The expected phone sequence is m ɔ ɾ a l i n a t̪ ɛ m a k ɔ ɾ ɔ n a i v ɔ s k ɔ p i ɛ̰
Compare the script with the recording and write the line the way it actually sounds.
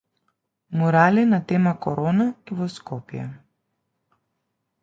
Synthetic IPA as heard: m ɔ ɾ a l i n a t̪ ɛ m a k ɔ ɾ ɔ n a i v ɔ s k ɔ p j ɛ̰